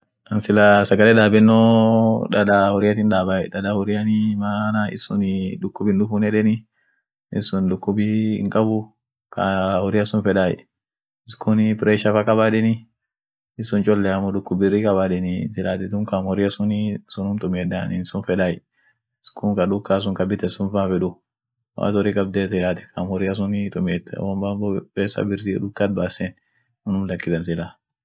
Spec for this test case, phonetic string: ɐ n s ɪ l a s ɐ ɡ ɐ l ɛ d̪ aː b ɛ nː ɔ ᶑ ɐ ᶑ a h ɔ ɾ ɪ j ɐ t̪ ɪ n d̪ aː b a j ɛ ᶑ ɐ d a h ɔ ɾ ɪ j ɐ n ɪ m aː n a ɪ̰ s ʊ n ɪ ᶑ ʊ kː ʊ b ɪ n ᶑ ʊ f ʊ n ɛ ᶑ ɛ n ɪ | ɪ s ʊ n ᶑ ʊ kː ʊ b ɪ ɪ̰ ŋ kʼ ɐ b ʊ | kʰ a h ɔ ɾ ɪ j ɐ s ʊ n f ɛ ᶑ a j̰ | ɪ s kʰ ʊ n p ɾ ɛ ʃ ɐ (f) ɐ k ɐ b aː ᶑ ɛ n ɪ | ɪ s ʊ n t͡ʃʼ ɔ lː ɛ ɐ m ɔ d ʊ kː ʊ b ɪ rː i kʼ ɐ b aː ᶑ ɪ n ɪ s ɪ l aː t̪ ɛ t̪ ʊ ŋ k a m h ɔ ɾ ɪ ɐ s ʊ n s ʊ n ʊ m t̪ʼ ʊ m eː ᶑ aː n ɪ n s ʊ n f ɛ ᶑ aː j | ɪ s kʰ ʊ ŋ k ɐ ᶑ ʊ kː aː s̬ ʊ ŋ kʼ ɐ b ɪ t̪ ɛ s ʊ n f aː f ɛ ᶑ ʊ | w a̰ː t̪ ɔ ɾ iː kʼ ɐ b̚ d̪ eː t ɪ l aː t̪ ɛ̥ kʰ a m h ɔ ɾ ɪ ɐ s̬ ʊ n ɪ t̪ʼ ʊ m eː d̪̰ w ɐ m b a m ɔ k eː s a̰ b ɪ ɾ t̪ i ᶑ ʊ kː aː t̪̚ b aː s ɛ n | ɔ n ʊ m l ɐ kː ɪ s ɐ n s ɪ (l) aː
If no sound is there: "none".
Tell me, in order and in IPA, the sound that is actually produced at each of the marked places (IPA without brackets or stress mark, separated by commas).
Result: f, l